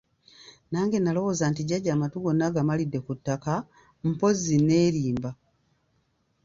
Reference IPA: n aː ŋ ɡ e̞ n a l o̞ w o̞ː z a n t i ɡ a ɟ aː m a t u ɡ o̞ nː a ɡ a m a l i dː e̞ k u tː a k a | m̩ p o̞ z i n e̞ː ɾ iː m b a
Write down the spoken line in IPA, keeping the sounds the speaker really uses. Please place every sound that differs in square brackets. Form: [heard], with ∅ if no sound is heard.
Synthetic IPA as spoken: n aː ŋ ɡ e̞ n a l o̞ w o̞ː z a n t i [ɟ] a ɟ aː m a t u ɡ o̞ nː a ɡ a m a l i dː e̞ k u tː a k a | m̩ p o̞ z i n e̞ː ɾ iː m b a